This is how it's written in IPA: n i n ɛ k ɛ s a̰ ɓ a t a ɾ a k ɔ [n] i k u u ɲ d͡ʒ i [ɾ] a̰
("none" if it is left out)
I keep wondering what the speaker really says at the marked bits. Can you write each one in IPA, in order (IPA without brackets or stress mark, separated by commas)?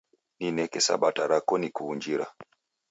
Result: n, ɾ